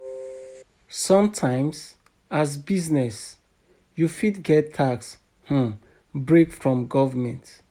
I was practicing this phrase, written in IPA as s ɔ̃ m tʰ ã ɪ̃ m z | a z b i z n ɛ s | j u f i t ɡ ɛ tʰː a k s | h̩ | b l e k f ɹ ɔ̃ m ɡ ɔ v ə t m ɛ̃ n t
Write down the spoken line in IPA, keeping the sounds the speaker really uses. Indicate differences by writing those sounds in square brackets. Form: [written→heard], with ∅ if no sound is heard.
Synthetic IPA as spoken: s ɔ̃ m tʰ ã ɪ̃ m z | a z b i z n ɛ s | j u f i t ɡ ɛ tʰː a k s | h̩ | b [l→ɹ] e k f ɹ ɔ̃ m ɡ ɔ v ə [t→∅] m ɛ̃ n t